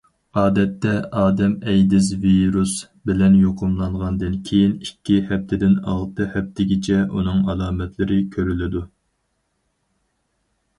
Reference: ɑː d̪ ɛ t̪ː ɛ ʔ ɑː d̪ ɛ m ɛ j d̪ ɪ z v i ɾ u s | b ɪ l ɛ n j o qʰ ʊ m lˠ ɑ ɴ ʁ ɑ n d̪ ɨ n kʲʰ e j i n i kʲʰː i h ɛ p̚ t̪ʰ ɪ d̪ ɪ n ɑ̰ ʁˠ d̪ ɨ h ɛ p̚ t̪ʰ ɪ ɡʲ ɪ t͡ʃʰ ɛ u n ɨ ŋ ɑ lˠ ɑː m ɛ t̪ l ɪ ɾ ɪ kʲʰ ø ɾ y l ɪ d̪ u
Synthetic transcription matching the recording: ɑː d̪ ɛ t̪ː ɛ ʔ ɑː d̪ ɛ m ɛ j d̪ ɪ z v i ɾ u s | b ɪ l ɛ n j o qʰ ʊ m lˠ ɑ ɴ ʁ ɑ n d̪ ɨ n kʲʰ e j i n i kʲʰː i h ɛ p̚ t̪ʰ ɪ d̪ ɪ n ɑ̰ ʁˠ t̪ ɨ h ɛ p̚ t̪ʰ ɪ ɡʲ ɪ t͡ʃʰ ɛ u n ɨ ŋ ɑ lˠ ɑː m ɛ t̪ l ɪ ɾ ɪ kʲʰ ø ɾ y l ɪ d̪ u